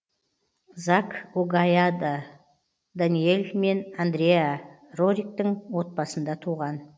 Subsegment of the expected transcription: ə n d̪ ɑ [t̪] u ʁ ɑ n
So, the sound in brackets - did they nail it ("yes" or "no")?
no